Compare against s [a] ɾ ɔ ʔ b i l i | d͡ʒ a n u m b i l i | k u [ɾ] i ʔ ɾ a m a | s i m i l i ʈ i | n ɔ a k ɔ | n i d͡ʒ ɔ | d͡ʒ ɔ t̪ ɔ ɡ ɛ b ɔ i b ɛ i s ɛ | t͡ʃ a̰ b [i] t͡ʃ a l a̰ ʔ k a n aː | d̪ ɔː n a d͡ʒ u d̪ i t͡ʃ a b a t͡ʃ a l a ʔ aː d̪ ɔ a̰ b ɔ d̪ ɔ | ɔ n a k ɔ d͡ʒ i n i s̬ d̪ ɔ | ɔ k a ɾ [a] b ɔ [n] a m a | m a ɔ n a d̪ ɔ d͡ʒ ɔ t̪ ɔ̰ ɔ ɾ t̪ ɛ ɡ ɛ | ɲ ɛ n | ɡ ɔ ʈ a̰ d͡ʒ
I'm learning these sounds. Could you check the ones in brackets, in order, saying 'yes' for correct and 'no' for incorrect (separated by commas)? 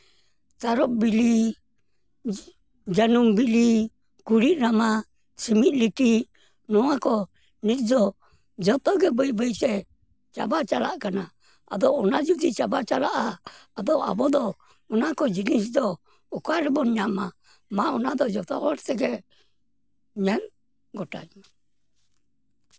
yes, yes, no, no, no